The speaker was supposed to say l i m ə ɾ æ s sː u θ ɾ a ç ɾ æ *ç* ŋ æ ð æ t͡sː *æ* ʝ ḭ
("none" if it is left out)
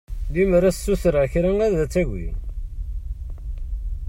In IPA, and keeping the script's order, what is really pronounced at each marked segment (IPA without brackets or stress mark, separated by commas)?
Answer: none, æ